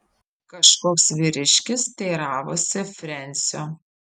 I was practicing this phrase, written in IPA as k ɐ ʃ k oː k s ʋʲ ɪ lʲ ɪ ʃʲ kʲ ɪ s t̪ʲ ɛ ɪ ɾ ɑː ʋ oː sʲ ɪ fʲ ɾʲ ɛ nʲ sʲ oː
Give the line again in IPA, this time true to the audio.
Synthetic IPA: k ɐ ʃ k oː k s ʋʲ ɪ ɾʲ ɪ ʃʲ kʲ ɪ s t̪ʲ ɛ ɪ ɾ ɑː ʋ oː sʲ ɪ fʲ ɾʲ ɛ nʲ sʲ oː